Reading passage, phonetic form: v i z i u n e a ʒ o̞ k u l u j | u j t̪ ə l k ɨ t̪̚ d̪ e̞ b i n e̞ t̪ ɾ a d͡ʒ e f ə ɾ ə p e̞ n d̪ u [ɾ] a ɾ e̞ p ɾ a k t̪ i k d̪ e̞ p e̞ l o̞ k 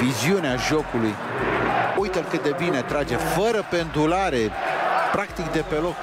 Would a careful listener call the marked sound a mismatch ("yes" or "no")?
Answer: yes